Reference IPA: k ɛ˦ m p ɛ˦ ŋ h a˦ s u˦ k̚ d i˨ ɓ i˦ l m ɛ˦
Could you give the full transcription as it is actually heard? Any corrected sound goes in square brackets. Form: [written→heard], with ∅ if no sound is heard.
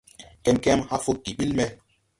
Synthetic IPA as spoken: k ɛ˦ m [p→k] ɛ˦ [ŋ→m] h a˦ [s→f] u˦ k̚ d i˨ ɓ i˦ l m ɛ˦